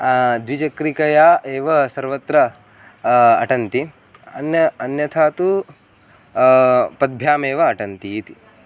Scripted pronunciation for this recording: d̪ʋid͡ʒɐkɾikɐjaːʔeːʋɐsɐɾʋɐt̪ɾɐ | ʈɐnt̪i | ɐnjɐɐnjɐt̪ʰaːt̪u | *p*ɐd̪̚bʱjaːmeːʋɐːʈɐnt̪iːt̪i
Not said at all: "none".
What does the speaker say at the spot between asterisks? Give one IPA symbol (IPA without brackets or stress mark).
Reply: p